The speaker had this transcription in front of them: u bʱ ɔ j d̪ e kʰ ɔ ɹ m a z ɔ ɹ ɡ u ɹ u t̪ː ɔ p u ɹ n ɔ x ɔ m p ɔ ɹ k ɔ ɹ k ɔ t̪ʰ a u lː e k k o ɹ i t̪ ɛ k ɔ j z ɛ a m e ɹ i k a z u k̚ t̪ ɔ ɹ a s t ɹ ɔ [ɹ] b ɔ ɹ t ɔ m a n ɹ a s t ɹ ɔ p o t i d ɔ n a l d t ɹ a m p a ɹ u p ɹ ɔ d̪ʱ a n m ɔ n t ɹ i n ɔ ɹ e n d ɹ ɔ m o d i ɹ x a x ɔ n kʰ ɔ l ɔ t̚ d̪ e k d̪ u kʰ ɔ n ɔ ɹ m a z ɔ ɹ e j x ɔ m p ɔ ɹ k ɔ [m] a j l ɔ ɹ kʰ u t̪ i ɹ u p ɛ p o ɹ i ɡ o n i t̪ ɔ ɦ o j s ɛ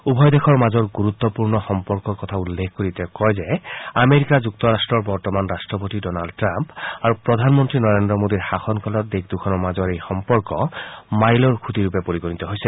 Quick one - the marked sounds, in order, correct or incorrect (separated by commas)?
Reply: correct, correct